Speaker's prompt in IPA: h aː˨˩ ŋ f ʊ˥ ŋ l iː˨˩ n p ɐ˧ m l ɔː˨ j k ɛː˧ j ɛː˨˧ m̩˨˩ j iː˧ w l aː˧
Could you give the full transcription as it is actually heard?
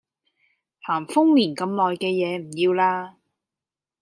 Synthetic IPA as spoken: h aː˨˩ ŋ f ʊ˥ ŋ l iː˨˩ n k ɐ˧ m l ɔː˨ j k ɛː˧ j ɛː˨˧ m̩˨˩ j iː˧ w l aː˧